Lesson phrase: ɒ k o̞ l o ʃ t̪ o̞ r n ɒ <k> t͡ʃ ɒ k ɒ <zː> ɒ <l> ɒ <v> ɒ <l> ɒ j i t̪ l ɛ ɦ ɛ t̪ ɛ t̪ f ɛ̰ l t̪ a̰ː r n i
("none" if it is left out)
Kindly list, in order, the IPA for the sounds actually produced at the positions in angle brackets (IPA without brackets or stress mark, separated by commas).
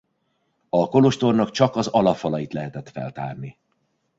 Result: k, z, l, f, l